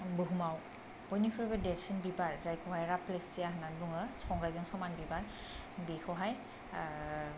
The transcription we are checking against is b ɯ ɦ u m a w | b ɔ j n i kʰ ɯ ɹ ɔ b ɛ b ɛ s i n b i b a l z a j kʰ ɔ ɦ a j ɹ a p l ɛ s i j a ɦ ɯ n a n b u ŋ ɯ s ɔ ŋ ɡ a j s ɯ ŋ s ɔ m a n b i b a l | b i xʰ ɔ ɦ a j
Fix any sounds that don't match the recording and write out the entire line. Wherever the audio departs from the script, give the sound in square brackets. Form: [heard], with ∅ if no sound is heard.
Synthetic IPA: b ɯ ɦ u m a w | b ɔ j n i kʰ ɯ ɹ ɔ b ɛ [d] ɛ s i n b i b a [ɹ] z a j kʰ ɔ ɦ a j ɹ a p l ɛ s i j a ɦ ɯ n a n b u ŋ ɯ s ɔ ŋ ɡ a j [z] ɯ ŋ s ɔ m a n b i b a [ɹ] | b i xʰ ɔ ɦ a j

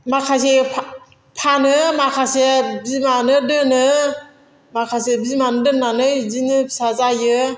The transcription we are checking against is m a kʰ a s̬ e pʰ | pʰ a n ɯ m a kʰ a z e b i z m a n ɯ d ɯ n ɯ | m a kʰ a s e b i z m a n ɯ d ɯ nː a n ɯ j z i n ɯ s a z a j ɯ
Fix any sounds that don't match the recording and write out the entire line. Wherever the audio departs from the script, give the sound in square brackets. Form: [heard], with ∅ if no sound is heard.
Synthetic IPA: m a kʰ a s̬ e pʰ | pʰ a n ɯ m a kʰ a [s] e b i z m a n ɯ d ɯ n ɯ | m a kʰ a s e b i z m a n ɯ d ɯ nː a n ɯ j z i n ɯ s a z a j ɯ

